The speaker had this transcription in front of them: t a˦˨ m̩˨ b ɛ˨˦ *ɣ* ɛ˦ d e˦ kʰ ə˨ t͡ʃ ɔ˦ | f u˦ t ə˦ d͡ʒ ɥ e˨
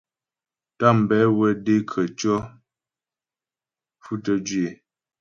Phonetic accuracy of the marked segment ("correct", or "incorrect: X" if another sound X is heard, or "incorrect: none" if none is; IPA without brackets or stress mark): incorrect: w